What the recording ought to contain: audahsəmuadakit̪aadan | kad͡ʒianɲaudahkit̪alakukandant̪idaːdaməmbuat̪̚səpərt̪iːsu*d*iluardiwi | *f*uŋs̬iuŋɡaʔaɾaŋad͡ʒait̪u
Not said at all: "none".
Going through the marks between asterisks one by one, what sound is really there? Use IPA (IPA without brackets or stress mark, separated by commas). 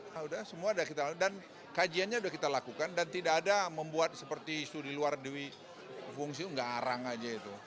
d, f